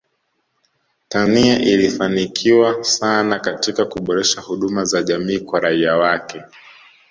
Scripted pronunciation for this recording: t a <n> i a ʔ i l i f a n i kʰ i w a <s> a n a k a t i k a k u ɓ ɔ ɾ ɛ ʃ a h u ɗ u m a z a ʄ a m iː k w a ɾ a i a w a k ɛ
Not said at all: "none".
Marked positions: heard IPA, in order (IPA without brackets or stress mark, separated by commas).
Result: n, s